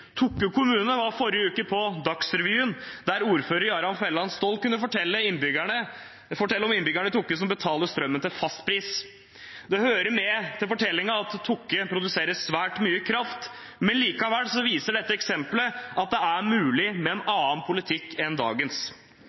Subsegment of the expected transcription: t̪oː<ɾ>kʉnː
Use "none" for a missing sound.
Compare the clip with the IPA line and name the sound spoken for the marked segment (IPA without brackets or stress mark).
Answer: l